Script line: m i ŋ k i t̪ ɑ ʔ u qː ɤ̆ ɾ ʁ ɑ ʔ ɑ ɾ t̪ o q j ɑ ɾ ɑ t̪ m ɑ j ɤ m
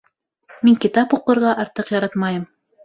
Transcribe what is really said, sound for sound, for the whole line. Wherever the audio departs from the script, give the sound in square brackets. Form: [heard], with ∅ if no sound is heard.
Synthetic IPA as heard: m i ŋ k i t̪ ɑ [p] u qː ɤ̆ ɾ ʁ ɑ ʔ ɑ ɾ t̪ [ɤ] q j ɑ ɾ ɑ t̪ m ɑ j ɤ m